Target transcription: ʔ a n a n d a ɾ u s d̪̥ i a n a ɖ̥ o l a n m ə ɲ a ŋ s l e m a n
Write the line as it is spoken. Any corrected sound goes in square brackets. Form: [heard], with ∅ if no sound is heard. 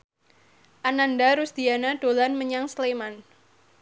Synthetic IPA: ʔ a n a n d a ɾ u s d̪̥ i a n a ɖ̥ o l a n m ə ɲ a ŋ s l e m a n